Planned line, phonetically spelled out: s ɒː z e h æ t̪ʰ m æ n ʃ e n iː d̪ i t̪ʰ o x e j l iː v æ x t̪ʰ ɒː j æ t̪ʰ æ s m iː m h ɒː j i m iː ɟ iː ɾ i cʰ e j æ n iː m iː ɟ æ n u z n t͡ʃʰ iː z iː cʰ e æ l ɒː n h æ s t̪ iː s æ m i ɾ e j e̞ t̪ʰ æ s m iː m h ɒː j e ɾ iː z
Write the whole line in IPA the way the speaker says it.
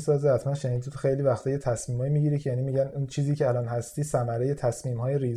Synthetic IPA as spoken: s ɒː z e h æ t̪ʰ m æ n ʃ e n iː d̪ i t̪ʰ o x e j l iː v æ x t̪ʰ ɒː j e t̪ʰ æ s m iː m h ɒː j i m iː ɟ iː ɾ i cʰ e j æ n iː m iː ɟ æ n u n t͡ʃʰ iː z iː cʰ e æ l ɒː n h æ s t̪ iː s æ m æ ɾ e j e̞ t̪ʰ æ s m iː m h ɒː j e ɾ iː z